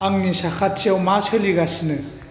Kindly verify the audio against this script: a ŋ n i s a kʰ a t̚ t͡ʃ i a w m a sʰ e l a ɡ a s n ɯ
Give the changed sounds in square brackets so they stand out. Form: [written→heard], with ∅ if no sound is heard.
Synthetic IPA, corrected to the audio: a ŋ n i s a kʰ a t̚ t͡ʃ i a w m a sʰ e l [a→i] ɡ a s n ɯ